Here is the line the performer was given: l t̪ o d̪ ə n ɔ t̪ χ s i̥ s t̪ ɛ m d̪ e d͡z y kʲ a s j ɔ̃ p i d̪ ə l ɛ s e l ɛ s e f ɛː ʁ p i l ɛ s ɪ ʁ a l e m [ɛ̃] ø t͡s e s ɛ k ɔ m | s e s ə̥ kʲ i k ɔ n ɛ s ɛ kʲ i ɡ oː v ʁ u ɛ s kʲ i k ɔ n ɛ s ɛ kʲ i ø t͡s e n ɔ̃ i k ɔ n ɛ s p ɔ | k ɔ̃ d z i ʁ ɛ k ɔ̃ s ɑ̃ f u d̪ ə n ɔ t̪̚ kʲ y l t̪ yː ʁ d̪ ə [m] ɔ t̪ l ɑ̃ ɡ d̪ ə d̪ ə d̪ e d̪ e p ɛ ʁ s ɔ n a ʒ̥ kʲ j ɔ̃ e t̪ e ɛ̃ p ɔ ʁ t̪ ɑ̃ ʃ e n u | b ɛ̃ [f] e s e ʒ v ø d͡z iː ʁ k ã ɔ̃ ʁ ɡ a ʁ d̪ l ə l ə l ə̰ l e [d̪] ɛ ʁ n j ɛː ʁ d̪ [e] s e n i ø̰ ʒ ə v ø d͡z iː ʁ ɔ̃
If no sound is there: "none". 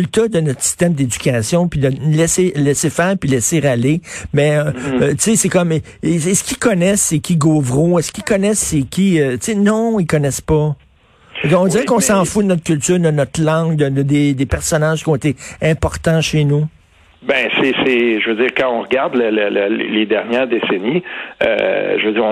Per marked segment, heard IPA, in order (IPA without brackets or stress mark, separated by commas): ɛ, n, s, d̪, e